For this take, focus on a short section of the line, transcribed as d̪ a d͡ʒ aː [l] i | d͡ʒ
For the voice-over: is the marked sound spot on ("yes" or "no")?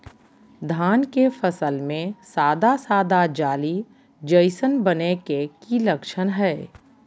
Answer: yes